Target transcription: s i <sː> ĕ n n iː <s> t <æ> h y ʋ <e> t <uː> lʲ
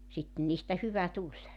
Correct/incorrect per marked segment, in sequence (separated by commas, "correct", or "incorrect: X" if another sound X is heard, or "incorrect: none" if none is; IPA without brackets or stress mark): incorrect: tː, correct, correct, incorrect: æ, incorrect: u